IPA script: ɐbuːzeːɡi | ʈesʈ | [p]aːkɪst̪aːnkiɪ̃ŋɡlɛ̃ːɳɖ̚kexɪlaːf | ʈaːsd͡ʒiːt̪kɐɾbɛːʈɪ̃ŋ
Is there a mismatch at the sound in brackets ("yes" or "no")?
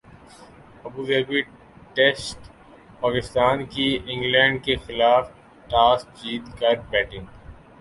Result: no